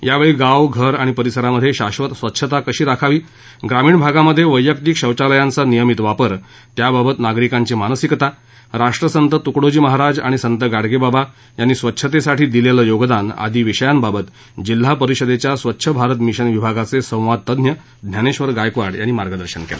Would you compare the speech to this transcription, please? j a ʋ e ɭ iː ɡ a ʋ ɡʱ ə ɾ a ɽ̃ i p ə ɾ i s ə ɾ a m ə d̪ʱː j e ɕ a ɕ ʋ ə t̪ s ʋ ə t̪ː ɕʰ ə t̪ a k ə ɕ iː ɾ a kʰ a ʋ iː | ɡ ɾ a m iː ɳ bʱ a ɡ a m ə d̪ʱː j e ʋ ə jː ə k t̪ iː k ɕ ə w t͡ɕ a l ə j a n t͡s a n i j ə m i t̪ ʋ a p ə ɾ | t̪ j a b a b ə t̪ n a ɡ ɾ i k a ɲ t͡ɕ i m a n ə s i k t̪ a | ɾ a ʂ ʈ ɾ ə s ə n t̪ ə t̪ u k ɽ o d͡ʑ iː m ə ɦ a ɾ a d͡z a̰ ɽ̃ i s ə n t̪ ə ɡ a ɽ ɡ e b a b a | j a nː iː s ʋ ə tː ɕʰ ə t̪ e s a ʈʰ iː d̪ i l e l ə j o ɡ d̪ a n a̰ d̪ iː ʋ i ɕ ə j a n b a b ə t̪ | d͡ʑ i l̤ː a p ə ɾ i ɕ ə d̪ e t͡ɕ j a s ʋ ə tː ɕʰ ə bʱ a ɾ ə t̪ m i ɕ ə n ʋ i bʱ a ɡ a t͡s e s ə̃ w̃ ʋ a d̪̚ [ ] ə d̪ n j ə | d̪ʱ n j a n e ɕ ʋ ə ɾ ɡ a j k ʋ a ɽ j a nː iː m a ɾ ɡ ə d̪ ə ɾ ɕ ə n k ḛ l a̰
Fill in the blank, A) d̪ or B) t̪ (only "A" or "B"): B